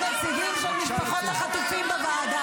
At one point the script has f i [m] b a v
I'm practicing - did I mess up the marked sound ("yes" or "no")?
no